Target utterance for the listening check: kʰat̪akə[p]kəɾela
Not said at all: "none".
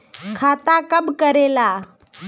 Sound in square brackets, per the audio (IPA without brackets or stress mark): b